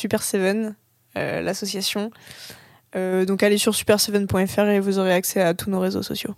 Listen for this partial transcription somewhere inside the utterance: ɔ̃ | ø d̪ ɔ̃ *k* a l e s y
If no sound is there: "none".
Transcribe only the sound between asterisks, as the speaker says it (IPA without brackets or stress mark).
k